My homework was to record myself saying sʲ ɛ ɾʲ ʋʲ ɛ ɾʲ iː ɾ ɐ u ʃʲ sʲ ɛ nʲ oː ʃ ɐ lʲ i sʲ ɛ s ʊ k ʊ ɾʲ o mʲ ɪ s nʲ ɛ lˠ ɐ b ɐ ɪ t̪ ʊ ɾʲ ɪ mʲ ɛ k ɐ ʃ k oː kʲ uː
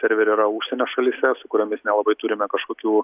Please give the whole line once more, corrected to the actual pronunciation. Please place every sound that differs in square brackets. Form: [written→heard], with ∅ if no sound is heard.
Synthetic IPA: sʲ ɛ ɾʲ ʋʲ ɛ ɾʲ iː ɾ ɐ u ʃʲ sʲ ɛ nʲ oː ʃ ɐ lʲ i sʲ ɛ s ʊ k ʊ ɾʲ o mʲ ɪ s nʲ ɛ lˠ ɐ b ɐ ɪ t̪ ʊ ɾʲ ɪ mʲ ɛ k ɐ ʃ k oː kʲ uː